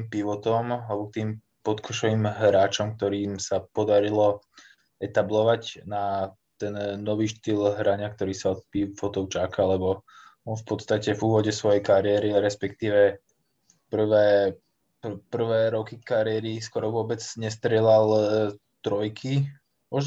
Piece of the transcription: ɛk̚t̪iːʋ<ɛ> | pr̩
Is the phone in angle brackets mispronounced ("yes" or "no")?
no